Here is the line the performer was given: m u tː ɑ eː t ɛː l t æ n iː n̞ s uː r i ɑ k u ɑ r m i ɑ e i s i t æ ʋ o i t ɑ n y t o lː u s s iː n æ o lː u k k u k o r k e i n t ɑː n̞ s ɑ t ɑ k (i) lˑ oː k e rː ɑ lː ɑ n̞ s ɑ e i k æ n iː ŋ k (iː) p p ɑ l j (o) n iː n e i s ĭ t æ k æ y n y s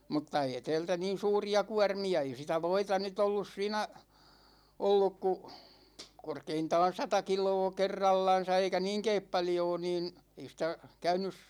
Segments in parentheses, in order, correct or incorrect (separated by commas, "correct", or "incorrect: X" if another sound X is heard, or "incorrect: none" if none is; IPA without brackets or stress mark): correct, incorrect: eː, incorrect: oː